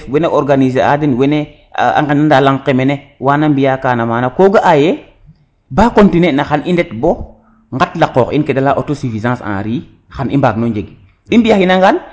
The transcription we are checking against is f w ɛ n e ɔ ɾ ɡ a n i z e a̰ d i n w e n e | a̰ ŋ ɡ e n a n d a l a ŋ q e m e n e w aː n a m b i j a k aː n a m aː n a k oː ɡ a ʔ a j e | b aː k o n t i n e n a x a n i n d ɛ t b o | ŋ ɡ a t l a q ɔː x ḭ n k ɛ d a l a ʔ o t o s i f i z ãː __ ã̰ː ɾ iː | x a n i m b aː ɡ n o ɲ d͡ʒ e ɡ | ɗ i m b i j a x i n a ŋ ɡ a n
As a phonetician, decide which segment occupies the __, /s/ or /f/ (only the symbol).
s